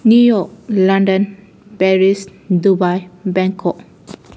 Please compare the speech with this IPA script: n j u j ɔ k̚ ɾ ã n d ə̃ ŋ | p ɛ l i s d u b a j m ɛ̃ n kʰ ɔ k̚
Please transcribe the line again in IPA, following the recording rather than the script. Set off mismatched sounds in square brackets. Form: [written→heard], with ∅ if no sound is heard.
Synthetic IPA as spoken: n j u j ɔ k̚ [ɾ→l] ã n d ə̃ [ŋ→n] | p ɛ [l→ɹ] i s d u b a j [m→b] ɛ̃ [n→ŋ] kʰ ɔ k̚